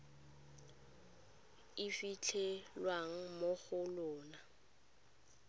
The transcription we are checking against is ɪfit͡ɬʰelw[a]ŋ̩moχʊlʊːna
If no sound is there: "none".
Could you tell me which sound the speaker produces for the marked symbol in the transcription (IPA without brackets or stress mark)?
a